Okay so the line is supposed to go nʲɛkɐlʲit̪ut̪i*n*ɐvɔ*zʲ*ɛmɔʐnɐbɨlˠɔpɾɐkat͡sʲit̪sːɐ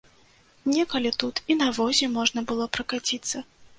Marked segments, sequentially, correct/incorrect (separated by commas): correct, correct